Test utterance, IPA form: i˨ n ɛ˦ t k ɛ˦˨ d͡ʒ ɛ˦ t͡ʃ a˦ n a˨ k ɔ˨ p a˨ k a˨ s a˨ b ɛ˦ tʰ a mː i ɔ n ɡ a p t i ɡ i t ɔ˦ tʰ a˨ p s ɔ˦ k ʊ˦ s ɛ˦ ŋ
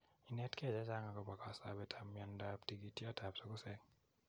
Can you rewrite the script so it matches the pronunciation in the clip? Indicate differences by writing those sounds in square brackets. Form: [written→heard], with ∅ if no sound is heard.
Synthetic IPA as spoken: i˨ n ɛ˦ t k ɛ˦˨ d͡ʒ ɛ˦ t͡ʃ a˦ [n→ŋ] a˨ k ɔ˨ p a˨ k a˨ s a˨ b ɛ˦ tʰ a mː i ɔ n [ɡ→d] a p t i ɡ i t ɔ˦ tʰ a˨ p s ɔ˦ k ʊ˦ s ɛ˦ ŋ